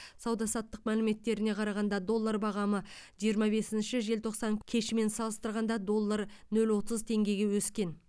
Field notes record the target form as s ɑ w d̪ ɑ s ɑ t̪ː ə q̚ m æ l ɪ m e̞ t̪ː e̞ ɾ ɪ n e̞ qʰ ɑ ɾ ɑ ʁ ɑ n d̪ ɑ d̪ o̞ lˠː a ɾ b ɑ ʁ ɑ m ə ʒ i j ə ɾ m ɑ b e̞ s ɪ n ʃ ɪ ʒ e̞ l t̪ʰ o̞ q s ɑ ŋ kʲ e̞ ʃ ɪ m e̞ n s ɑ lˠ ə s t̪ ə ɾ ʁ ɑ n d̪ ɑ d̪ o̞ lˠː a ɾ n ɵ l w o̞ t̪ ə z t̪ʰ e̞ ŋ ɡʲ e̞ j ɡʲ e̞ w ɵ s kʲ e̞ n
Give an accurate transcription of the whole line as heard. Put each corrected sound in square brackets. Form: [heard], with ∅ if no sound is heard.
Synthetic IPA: s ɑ w d̪ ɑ s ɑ t̪ː ə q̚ m æ l ɪ m e̞ t̪ː e̞ ɾ ɪ n e̞ qʰ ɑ ɾ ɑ ʁ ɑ n d̪ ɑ d̪ o̞ lˠː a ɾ b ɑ ʁ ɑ m ə ʒ i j ə ɾ m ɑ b e̞ s ɪ n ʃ ɪ ʒ e̞ l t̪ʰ o̞ q s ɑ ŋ [kʲʰ] e̞ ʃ ɪ m e̞ n s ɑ lˠ ə s t̪ ə ɾ ʁ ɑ n d̪ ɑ d̪ o̞ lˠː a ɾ n ɵ l w o̞ t̪ ə z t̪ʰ e̞ ŋ ɡʲ e̞ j ɡʲ e̞ w ɵ s kʲ e̞ n